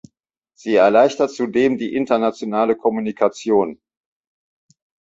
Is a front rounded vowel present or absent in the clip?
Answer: absent